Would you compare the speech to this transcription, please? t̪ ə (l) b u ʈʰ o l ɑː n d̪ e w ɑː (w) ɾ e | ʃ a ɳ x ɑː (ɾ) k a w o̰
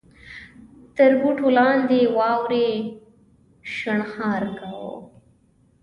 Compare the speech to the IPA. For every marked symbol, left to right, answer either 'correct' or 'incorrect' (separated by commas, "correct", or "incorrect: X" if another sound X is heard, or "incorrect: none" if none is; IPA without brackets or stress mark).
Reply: incorrect: ɾ, correct, correct